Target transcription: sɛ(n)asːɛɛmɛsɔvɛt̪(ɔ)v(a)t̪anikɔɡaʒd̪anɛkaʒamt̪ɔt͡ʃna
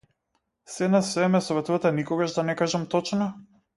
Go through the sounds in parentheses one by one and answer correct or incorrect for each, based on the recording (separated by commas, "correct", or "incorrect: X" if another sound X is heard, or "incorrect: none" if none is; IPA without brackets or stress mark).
correct, incorrect: u, correct